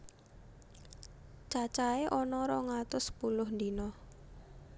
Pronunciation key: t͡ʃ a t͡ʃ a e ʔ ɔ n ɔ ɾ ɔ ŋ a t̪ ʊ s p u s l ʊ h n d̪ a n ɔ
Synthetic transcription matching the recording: t͡ʃ a t͡ʃ a e ʔ ɔ n ɔ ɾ ɔ ŋ a t̪ ʊ s p u l ʊ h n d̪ i n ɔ